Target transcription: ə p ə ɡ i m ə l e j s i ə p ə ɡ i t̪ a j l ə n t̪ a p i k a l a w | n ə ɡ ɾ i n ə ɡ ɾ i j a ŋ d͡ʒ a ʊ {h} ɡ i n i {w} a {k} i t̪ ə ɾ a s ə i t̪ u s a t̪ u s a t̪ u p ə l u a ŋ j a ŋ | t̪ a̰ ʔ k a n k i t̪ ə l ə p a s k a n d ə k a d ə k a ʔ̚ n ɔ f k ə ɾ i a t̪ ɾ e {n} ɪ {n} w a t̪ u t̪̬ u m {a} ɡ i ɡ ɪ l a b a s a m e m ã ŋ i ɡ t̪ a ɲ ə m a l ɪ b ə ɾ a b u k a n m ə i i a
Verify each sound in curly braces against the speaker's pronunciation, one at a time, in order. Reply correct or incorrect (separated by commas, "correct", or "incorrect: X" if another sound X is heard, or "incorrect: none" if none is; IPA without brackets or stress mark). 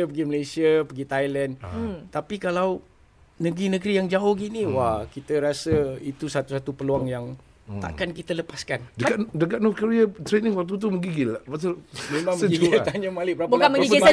correct, correct, correct, correct, incorrect: ŋ, incorrect: ə